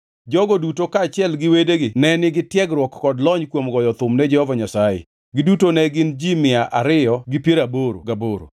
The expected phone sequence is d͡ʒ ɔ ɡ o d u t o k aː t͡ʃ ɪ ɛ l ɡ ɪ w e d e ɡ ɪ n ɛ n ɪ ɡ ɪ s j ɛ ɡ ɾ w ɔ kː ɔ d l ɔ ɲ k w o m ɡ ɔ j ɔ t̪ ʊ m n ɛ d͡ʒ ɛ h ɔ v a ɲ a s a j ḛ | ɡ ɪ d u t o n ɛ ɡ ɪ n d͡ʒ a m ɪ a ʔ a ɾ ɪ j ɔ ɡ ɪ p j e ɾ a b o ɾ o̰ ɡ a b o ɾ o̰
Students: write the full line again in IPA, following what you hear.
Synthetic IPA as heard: d͡ʒ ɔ ɡ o d u t o k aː t͡ʃ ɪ ɛ l ɡ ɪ w e d e ɡ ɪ n ɛ n ɪ ɡ ɪ t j ɛ ɡ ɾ w ɔ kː ɔ d l ɔ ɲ k w o m ɡ ɔ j ɔ t̪ ʊ m n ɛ d͡ʒ ɛ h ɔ v a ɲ a s a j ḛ | ɡ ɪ d u t o n ɛ ɡ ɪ n d͡ʒ i m ɪ a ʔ a ɾ ɪ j ɔ ɡ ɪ p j e ɾ a b o ɾ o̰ ɡ a b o ɾ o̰